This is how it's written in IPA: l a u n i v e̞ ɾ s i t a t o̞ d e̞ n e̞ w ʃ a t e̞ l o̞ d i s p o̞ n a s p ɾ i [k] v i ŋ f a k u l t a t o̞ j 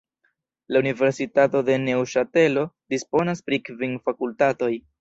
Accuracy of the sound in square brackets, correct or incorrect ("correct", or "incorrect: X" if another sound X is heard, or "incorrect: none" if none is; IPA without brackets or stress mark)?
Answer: correct